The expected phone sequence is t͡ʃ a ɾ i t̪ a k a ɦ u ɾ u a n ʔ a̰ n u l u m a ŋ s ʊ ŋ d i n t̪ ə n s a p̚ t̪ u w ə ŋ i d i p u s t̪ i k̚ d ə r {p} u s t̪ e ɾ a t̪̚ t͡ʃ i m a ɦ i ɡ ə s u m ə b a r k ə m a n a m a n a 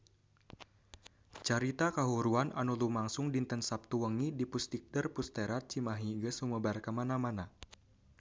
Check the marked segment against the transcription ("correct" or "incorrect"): correct